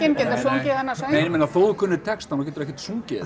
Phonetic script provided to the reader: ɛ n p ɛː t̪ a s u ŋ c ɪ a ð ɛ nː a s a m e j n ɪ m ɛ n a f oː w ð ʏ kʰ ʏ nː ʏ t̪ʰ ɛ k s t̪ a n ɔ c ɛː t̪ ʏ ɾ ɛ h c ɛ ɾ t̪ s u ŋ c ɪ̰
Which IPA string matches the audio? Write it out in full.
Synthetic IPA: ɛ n c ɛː t̪ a s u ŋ c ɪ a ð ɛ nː a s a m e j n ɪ m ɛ n a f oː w ð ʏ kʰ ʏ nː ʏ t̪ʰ ɛ k s t̪ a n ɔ c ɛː t̪ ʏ ɾ ɛ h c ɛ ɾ t̪ s u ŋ c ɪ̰